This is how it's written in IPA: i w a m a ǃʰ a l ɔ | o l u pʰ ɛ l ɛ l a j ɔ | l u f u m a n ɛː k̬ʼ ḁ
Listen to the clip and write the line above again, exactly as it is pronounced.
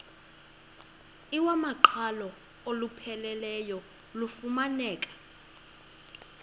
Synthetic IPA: i w a m a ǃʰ a l ɔ | o l u pʰ ɛ l ɛ l ɛ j ɔ | l u f u m a n ɛː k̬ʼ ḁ